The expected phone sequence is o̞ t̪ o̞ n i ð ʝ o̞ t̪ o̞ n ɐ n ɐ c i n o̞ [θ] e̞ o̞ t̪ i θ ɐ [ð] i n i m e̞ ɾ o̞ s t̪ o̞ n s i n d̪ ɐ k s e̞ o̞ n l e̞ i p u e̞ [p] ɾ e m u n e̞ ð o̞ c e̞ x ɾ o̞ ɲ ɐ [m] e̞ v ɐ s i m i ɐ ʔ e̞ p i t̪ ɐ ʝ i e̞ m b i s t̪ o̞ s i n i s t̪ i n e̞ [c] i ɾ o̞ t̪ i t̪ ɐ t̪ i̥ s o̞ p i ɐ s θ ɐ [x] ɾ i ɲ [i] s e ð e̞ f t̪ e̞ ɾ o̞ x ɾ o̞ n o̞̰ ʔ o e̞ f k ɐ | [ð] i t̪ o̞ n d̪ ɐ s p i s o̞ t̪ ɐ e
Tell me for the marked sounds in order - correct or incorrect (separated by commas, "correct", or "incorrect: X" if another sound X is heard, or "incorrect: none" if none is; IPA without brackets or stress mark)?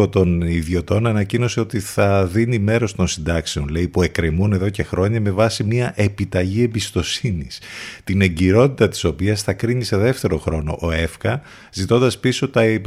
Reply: incorrect: s, correct, incorrect: k, correct, incorrect: ɟ, incorrect: k, correct, incorrect: z